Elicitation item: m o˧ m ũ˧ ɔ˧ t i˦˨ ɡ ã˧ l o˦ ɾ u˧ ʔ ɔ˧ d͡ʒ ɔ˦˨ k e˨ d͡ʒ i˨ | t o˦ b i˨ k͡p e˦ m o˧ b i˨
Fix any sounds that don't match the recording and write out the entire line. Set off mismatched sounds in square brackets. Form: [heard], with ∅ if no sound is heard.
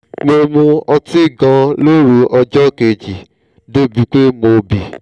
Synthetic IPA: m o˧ m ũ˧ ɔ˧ t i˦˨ ɡ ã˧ l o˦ ɾ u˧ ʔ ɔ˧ d͡ʒ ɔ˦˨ k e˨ d͡ʒ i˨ | [d] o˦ b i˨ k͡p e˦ m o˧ b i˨